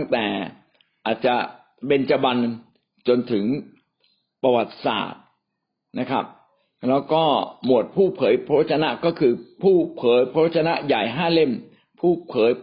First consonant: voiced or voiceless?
voiced